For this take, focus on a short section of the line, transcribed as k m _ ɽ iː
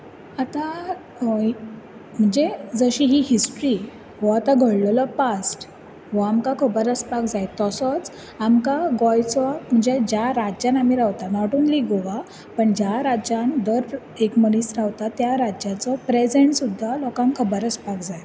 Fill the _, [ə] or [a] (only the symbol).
ə